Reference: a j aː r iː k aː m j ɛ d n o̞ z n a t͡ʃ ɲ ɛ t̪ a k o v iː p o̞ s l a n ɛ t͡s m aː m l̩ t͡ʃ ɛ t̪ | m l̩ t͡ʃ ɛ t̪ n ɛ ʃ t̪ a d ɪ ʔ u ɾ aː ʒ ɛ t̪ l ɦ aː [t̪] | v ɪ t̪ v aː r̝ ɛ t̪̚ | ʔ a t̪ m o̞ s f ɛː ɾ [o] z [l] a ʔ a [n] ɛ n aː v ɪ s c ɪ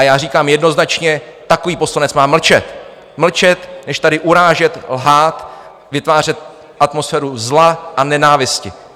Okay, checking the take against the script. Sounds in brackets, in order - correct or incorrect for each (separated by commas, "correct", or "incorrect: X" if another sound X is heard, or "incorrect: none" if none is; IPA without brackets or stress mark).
correct, incorrect: u, correct, correct